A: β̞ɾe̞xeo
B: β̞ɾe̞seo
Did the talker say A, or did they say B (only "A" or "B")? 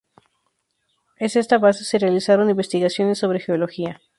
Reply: A